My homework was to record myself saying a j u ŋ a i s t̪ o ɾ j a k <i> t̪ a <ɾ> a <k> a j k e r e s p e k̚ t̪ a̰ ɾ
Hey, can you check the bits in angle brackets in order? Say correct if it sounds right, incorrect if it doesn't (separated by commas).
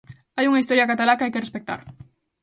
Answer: incorrect, incorrect, correct